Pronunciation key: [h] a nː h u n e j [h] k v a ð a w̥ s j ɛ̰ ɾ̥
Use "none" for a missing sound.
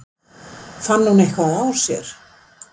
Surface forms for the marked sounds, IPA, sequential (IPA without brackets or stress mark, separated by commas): f, h